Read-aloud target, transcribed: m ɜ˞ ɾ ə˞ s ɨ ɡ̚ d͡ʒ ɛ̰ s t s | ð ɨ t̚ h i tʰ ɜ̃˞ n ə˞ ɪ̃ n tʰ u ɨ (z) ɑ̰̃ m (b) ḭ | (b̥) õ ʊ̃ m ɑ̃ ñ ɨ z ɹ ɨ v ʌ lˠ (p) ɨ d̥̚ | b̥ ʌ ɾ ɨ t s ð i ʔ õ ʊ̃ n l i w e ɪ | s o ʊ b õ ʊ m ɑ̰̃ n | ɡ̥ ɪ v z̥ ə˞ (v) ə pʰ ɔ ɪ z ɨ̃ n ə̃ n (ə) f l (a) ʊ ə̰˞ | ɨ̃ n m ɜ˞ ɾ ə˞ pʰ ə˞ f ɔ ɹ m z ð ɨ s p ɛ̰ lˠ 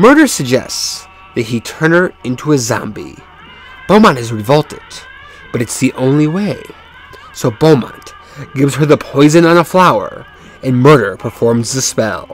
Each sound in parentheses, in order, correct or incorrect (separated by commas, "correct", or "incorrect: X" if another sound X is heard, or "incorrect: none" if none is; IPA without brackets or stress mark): correct, correct, correct, incorrect: t, incorrect: ð, correct, correct